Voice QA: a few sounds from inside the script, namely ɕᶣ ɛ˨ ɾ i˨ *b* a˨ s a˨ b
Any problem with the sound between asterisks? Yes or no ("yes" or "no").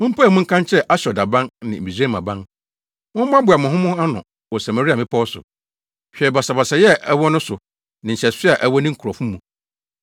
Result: no